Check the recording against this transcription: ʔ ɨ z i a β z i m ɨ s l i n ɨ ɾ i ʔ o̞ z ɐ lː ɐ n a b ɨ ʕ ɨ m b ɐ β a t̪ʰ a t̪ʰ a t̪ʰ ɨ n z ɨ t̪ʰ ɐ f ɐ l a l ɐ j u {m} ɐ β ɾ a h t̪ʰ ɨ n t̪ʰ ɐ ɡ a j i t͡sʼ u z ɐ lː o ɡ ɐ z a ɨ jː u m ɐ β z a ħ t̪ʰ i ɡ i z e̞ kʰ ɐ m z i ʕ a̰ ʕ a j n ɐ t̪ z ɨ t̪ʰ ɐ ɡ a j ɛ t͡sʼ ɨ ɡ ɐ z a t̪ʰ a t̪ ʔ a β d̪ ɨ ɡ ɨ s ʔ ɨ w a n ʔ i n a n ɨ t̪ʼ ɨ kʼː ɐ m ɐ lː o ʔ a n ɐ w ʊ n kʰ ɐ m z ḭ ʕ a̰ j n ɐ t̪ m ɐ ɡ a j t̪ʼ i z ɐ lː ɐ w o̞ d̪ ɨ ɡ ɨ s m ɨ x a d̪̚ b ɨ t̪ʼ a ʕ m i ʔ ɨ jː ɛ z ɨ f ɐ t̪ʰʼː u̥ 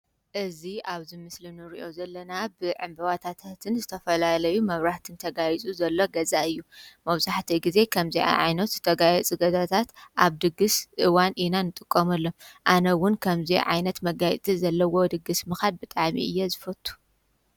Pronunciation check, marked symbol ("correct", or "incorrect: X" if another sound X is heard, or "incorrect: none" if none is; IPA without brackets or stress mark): correct